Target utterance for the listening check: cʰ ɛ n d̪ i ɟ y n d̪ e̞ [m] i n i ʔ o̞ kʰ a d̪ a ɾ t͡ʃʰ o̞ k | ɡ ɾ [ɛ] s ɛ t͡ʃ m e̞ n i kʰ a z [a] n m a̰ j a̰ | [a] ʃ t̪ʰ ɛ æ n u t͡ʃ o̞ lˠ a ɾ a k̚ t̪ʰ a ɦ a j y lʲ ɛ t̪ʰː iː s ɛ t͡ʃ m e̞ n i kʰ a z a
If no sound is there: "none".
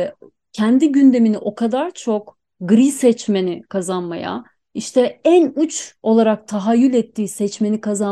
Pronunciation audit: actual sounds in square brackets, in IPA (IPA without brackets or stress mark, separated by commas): m, i, a, i